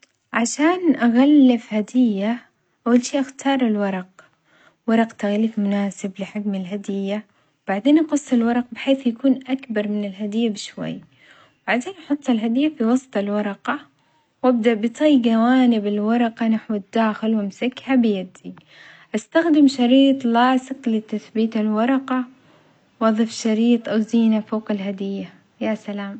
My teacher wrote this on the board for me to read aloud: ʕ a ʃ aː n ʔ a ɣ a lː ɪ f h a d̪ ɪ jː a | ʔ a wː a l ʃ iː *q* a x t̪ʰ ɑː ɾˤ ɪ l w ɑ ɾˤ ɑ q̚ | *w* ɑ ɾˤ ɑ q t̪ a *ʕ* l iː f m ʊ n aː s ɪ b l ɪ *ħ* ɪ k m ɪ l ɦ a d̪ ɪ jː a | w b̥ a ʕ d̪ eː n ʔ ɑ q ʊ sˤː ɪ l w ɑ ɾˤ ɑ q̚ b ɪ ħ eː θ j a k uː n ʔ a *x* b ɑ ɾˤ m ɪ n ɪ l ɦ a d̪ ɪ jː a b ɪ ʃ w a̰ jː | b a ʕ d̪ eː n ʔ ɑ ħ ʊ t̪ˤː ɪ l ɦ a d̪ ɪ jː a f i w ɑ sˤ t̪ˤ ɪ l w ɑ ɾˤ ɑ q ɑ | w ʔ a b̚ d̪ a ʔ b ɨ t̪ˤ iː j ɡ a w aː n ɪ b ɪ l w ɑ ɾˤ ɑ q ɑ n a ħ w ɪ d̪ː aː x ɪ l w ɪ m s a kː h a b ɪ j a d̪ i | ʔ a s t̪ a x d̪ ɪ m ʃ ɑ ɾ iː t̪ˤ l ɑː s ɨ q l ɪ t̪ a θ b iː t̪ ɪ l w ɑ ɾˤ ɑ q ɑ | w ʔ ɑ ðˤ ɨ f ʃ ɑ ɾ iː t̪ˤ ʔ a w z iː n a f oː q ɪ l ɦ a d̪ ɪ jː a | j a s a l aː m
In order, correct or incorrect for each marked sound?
incorrect, correct, incorrect, correct, incorrect

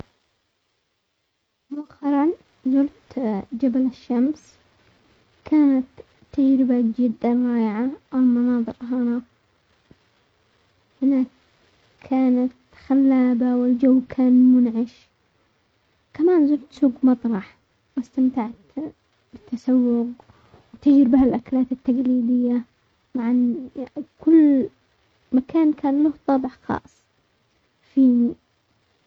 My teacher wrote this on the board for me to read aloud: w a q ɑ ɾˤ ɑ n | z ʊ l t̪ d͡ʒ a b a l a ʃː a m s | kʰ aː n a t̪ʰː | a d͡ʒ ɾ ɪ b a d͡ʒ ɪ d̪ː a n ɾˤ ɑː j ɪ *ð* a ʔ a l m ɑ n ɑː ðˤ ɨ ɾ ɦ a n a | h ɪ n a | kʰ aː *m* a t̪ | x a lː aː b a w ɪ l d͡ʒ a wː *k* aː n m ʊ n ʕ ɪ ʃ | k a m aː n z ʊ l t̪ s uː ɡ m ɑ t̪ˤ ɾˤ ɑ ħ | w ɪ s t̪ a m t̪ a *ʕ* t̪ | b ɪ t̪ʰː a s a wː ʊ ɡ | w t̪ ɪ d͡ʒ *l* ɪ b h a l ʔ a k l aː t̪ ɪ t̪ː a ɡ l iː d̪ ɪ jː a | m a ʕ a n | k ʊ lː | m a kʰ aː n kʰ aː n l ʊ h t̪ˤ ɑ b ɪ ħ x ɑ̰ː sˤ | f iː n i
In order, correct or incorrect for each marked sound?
incorrect, incorrect, incorrect, correct, incorrect

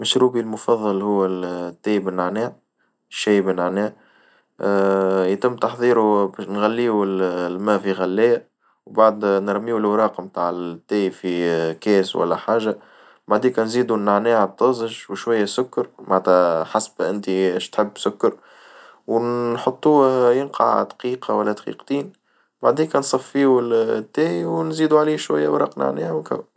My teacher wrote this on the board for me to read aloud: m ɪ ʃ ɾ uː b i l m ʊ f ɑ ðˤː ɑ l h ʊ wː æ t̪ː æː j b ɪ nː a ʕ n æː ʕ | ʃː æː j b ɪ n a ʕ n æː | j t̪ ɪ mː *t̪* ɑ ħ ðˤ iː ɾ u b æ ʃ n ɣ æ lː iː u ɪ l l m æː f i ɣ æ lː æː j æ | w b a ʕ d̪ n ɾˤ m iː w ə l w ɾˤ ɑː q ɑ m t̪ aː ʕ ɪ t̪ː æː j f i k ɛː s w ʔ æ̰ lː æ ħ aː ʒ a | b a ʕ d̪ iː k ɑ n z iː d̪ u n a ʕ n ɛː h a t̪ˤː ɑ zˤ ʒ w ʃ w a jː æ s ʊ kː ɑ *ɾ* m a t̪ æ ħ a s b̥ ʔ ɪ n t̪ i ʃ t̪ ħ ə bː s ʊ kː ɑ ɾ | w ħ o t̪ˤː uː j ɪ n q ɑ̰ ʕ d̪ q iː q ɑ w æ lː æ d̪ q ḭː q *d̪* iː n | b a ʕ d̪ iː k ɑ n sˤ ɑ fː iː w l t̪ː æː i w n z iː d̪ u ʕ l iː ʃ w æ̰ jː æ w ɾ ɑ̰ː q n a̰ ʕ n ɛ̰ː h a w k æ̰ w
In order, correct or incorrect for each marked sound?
correct, correct, incorrect

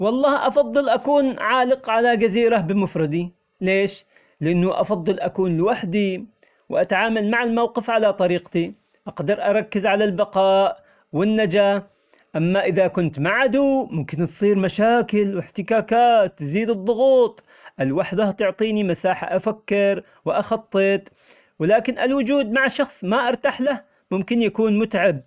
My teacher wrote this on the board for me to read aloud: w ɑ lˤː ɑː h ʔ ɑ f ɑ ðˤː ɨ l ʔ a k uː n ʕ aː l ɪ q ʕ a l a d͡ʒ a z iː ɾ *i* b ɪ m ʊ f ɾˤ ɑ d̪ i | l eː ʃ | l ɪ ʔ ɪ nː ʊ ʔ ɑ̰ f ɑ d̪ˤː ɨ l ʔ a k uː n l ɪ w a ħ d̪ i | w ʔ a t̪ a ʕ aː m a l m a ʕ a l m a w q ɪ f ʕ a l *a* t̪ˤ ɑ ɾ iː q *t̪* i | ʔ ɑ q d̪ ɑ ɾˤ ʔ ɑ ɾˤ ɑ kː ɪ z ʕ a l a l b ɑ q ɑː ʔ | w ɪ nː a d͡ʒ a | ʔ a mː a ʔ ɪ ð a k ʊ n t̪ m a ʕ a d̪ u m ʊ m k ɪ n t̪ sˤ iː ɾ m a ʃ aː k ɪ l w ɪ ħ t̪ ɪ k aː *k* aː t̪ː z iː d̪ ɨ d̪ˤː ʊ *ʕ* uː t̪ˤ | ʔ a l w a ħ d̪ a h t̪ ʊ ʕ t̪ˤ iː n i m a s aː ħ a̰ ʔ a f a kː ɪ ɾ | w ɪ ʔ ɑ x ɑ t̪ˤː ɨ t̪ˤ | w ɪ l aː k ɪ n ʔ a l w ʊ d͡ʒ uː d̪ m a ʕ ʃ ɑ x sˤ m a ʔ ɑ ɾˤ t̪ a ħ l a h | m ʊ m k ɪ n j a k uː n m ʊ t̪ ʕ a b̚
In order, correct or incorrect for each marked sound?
incorrect, correct, correct, correct, incorrect

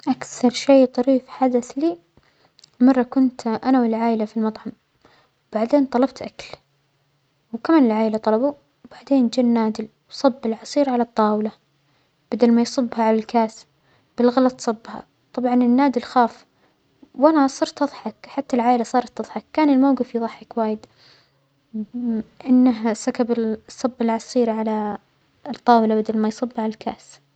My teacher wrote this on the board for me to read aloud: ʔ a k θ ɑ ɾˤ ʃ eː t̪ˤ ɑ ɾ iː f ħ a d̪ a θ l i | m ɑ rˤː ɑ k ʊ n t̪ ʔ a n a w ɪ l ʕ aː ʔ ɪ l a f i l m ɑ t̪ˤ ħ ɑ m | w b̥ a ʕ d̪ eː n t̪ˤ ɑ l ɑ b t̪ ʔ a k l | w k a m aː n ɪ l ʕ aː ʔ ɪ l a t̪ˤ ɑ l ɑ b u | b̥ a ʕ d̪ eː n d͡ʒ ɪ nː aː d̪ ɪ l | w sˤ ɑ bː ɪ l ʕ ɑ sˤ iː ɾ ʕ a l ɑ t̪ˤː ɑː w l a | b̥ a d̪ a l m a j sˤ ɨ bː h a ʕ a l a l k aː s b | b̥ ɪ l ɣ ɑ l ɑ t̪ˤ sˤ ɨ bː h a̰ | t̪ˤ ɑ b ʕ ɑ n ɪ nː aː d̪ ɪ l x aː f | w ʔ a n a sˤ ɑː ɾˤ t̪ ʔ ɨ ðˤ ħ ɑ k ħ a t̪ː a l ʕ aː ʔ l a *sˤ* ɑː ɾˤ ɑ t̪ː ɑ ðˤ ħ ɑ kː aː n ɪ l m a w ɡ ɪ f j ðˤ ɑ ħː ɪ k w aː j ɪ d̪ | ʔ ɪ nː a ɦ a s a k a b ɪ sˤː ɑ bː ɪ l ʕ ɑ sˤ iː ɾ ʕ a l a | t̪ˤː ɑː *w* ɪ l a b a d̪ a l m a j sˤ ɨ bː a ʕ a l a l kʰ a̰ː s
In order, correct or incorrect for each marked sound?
correct, correct

